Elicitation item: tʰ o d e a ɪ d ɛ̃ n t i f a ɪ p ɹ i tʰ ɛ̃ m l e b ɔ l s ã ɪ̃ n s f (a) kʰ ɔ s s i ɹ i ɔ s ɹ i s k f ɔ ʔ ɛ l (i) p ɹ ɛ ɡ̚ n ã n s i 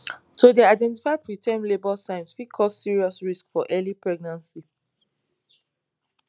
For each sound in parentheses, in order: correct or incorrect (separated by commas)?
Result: incorrect, correct